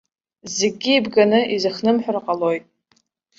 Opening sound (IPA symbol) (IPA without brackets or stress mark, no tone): z